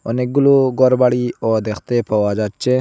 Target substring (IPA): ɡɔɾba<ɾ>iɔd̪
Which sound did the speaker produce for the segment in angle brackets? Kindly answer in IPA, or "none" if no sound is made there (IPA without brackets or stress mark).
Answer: ɽ